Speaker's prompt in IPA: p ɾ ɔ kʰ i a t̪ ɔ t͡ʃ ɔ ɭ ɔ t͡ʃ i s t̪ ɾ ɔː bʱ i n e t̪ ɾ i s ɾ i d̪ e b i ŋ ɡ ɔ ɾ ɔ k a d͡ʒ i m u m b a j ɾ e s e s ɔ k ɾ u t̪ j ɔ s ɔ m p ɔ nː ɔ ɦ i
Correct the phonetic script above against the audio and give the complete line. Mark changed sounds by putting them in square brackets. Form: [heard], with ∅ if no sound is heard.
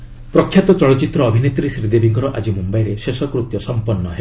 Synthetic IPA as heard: p ɾ ɔ kʰ [j] a t̪ ɔ t͡ʃ ɔ ɭ ɔ t͡ʃ i [∅] t̪ ɾ ɔː bʱ i n e t̪ ɾ i s ɾ i d̪ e b i ŋ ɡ ɔ ɾ ɔ [ʔ] a d͡ʒ i m u m b a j ɾ e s e s ɔ k ɾ u t̪ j ɔ s ɔ m p ɔ nː ɔ ɦ [e]